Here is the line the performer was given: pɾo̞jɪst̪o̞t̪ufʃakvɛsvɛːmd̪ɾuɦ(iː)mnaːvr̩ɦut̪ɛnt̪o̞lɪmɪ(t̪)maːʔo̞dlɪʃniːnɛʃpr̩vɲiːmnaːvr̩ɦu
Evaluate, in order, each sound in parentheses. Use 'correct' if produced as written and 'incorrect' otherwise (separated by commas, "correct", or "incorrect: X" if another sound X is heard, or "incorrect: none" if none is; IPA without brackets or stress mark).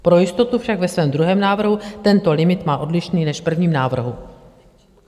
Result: incorrect: ɛː, correct